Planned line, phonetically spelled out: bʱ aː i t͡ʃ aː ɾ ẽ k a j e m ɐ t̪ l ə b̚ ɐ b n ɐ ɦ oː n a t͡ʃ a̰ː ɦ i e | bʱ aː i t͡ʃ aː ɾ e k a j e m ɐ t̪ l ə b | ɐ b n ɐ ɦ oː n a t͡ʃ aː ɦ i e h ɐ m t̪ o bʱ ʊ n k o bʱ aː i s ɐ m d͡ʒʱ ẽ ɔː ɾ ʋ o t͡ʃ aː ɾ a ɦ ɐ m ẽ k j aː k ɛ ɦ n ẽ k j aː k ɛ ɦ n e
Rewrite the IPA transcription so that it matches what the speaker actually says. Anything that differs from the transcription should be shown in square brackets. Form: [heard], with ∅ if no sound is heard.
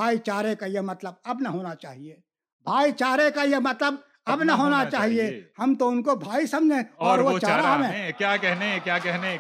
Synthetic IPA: bʱ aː i t͡ʃ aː ɾ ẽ k a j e m ɐ t̪ l ə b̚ ɐ b n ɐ ɦ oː n a t͡ʃ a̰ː ɦ i e | bʱ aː i t͡ʃ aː ɾ e k a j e m ɐ t̪ l ə b | ɐ b n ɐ ɦ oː n a t͡ʃ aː ɦ i e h ɐ m t̪ o [∅] ʊ n k o bʱ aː i s ɐ m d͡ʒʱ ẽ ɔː ɾ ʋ o t͡ʃ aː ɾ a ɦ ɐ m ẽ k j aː k ɛ ɦ n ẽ k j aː k ɛ ɦ n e